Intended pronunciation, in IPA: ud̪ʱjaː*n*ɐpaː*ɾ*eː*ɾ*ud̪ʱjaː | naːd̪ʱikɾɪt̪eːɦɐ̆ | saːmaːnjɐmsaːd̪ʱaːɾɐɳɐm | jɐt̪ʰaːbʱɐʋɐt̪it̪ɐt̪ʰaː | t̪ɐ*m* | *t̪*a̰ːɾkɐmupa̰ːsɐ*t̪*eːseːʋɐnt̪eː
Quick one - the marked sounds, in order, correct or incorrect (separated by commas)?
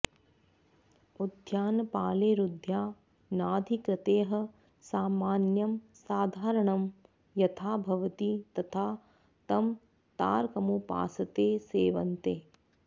correct, incorrect, correct, correct, correct, correct